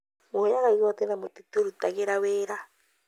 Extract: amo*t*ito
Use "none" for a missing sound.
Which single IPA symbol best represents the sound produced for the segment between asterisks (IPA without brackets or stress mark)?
t